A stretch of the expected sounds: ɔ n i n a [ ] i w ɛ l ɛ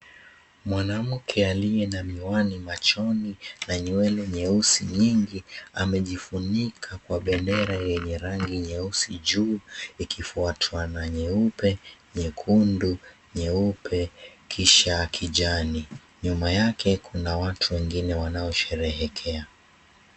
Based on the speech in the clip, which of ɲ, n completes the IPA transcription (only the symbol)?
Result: ɲ